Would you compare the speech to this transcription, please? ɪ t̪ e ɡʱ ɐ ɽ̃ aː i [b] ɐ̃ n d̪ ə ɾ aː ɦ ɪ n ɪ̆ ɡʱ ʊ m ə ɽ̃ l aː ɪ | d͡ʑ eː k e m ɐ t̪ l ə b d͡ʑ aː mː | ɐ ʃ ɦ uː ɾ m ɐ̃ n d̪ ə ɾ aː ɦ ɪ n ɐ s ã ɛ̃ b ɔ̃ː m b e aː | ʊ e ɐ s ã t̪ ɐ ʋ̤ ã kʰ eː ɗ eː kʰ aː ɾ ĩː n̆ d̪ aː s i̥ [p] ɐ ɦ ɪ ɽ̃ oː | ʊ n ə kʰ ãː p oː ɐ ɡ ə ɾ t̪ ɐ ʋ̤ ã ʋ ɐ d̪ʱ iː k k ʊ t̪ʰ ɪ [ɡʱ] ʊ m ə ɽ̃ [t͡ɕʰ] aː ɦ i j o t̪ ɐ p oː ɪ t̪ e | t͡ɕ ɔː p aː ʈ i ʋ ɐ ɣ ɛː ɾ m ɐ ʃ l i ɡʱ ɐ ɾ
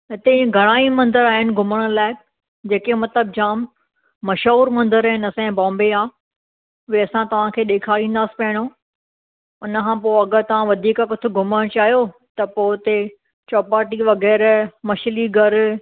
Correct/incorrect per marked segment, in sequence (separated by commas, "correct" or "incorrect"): incorrect, correct, correct, incorrect